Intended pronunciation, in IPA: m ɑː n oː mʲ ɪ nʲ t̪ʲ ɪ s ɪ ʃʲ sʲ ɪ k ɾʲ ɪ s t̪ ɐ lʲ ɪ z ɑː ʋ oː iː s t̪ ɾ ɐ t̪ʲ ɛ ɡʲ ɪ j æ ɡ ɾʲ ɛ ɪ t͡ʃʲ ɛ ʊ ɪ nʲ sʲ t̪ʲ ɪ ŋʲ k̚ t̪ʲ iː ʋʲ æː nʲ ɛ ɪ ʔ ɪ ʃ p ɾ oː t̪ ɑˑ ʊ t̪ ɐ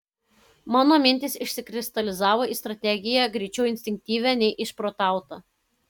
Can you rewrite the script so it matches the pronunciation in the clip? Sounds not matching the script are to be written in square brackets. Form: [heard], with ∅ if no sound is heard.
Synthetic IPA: m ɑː n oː mʲ ɪ nʲ t̪ʲ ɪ s ɪ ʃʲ sʲ ɪ k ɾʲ ɪ s t̪ ɐ lʲ ɪ z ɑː ʋ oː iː s t̪ ɾ ɐ t̪ʲ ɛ ɡʲ ɪ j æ ɡ ɾʲ ɛ ɪ t͡ʃʲ ɛ ʊ ɪ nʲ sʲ t̪ʲ ɪ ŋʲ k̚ t̪ʲ iː ʋʲ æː nʲ ɛ ɪ ʔ ɪ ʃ p ɾ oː t̪ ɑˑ ʊ t̪ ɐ